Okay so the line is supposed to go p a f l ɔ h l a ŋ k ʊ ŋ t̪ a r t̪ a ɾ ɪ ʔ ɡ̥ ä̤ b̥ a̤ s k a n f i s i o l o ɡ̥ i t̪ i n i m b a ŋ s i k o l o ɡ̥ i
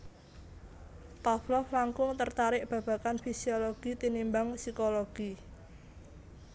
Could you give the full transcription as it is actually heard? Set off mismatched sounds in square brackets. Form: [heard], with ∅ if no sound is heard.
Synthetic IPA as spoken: p a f l ɔ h l a ŋ k ʊ ŋ t̪ [ə] r t̪ a ɾ ɪ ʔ [b̥] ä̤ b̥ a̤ [∅] k a n f i s i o l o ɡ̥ i t̪ i n i m b a ŋ s i k o l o ɡ̥ i